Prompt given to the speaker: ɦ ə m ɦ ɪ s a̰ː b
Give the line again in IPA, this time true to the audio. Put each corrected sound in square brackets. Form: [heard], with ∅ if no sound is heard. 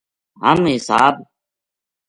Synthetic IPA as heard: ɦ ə m ɦ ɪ s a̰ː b